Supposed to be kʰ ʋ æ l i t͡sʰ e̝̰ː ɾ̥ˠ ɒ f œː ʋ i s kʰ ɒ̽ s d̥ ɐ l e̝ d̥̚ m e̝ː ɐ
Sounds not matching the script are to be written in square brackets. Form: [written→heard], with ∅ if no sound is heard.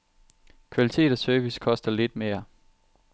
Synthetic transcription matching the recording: kʰ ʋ æ l i t͡sʰ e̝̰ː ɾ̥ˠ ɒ [f→s] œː ʋ i s kʰ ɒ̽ s d̥ ɐ l e̝ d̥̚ m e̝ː ɐ